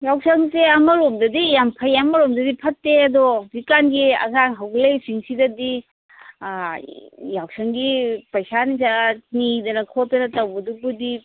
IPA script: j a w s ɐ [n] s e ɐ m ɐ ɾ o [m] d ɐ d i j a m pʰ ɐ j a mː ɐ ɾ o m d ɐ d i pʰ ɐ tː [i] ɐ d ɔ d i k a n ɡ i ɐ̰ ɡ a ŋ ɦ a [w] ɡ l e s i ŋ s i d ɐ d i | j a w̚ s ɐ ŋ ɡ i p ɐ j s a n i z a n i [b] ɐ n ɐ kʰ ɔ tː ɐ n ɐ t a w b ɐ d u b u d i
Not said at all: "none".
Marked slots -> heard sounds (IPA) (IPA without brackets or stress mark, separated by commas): ŋ, m, e, w, d